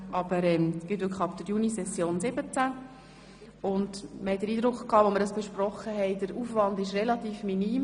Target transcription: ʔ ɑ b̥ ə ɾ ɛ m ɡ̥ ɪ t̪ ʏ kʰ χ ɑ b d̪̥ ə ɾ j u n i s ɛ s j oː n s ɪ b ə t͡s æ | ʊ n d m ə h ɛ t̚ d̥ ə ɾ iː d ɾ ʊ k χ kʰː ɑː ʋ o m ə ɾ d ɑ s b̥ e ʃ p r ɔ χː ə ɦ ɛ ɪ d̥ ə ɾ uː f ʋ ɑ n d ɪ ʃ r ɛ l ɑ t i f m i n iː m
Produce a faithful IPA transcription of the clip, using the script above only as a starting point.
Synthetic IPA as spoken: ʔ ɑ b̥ ə ɾ ɛ m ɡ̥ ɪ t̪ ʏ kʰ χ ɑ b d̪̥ ə ɾ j u n i s ɛ s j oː n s ɪ b ə t͡s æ | ʊ n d m ə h ɛ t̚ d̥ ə ɾ iː d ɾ ʊ k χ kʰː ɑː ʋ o m ə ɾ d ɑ s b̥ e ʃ p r ɔ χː ə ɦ ɛ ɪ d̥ ə ɾ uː f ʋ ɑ n d ɪ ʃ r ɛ l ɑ t iː f m i n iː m